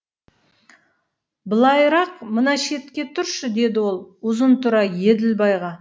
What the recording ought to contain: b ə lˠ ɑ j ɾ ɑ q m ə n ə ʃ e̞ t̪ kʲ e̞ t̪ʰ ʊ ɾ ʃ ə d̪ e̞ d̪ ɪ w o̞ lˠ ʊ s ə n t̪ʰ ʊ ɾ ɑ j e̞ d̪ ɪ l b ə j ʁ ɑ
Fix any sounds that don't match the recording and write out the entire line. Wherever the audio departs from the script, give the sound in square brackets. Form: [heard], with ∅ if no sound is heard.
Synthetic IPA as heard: b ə lˠ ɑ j ɾ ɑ q m ə n [ɑ] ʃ e̞ t̪ kʲ e̞ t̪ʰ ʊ ɾ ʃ ə d̪ e̞ d̪ ɪ w o̞ lˠ ʊ [z] ə n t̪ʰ ʊ ɾ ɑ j e̞ d̪ ɪ l b [ɑ] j ʁ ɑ